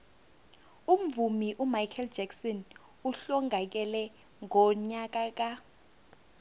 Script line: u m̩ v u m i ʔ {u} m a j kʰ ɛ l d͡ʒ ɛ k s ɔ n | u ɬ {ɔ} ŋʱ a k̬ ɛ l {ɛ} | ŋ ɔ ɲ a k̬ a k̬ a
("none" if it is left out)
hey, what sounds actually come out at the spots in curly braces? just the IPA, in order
u, ɔ, ɛ

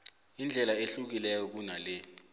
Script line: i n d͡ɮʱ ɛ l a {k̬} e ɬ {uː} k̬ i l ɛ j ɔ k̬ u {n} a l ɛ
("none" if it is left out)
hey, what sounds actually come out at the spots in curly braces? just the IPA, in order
none, u, n

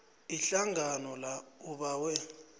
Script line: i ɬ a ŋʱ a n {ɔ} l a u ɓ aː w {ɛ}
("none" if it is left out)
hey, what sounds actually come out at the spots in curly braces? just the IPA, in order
ɔ, ɛ

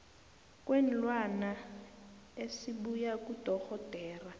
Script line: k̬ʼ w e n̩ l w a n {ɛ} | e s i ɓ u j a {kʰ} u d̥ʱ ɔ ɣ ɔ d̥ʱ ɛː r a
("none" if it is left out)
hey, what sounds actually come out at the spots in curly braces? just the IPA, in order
a, k

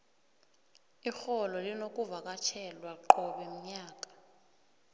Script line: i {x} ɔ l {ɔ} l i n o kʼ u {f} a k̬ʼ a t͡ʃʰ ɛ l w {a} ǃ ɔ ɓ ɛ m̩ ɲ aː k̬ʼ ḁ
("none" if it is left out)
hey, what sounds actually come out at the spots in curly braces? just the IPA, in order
x, ɔ, v, a

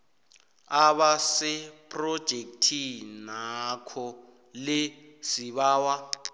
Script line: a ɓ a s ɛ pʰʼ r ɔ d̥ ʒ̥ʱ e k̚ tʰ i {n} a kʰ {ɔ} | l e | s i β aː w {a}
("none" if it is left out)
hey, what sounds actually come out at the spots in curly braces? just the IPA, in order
n, ɔ, a

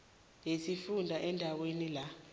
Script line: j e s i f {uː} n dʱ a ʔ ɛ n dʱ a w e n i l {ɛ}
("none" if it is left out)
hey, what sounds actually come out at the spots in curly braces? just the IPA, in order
u, a

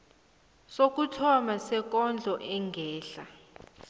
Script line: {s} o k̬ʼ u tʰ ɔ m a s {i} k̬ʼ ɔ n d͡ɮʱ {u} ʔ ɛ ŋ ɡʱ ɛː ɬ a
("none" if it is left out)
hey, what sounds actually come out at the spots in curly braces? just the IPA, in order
s, ɛ, ɔ

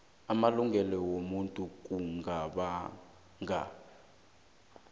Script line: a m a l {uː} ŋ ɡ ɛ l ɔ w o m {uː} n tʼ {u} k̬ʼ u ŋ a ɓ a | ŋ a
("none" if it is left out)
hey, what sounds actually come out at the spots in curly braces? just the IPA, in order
u, u, u

